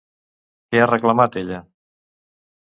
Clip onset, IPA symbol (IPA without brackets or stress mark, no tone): k